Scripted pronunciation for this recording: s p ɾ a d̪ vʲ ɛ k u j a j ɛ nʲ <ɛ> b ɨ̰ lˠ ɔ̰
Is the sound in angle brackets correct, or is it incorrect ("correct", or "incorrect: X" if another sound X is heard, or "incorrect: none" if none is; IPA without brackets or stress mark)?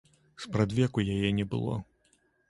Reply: correct